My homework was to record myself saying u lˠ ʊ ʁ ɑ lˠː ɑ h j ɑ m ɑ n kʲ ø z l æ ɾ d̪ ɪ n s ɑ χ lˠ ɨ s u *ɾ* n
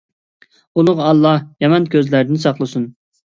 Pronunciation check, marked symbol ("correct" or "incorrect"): incorrect